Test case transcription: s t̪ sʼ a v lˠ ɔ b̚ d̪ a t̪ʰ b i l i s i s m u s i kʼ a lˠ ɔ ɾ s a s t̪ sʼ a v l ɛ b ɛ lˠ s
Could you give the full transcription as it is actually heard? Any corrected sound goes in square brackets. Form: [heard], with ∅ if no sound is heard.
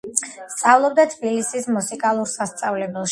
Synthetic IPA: s t̪ sʼ a v lˠ ɔ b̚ d̪ a t̪ʰ b i l i s i s m u s i kʼ a lˠ [u] ɾ s a s t̪ sʼ a v l ɛ b ɛ lˠ [ʃ]